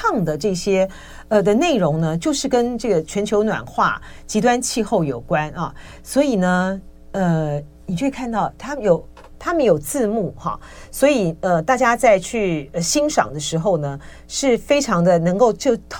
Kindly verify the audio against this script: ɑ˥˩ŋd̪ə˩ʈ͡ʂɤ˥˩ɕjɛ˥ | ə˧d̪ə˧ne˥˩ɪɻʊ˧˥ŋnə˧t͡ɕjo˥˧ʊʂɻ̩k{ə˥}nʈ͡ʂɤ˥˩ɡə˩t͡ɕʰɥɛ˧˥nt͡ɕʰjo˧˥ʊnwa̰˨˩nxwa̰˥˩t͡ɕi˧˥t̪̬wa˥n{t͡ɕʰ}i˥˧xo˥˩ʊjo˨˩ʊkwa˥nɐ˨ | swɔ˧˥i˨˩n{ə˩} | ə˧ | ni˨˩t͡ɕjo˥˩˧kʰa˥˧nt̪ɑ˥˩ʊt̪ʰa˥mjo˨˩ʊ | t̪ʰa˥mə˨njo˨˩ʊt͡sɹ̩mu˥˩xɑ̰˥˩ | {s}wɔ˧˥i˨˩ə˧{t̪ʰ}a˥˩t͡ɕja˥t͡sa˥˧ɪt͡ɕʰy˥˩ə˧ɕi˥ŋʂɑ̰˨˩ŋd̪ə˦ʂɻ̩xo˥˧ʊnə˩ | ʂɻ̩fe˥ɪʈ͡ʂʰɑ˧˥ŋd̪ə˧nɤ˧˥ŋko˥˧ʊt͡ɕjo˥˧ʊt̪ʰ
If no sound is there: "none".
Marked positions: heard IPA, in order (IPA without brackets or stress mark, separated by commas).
ə˥, t͡ɕʰ, ə˦, s, t̪